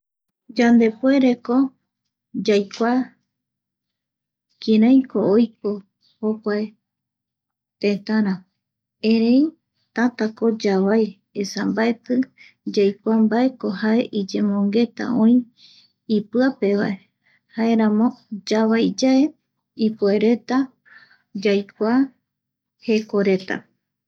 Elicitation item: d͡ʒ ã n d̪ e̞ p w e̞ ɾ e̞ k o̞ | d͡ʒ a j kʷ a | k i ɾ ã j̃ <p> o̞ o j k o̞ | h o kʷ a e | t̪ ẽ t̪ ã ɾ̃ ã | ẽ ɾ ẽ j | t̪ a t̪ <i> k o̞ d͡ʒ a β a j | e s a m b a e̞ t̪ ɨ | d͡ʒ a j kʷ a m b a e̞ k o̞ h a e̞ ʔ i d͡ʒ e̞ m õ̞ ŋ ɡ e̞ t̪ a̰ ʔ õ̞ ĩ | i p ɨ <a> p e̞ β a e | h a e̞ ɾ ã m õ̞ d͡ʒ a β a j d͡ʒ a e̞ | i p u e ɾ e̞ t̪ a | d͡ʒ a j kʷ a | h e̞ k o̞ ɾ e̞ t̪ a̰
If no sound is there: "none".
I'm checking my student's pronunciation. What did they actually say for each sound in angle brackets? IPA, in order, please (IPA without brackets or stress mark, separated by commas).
k, a, a